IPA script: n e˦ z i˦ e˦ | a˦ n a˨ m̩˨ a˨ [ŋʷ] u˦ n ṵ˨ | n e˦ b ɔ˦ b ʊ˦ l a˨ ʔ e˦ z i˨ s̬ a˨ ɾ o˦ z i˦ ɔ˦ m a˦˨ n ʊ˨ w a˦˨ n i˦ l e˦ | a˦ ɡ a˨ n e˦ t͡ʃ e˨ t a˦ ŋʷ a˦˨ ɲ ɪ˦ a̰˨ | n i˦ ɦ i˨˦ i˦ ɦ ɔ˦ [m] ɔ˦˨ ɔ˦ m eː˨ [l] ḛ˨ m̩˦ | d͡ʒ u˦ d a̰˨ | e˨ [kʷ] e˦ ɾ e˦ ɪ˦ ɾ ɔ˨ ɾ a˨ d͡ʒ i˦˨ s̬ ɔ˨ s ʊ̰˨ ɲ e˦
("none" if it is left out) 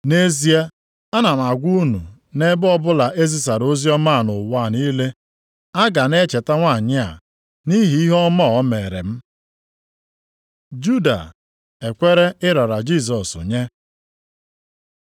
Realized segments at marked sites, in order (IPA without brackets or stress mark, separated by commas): ɡʷ, m, ɾ, kʷ